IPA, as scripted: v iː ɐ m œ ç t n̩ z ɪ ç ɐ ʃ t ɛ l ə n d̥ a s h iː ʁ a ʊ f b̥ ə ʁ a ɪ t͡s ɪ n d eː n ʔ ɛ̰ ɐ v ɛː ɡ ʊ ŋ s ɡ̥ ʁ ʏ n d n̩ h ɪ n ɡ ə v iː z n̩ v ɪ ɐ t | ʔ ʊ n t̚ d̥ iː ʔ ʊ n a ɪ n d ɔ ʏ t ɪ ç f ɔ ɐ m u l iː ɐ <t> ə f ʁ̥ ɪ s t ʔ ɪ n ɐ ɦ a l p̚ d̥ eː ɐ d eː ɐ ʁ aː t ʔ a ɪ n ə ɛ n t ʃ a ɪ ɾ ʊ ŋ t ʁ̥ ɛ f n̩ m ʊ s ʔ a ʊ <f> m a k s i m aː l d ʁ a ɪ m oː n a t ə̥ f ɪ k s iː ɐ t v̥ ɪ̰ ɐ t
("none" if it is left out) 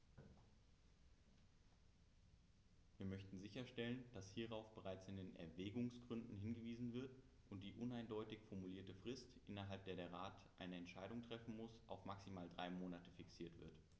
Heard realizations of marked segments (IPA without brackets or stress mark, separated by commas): t, f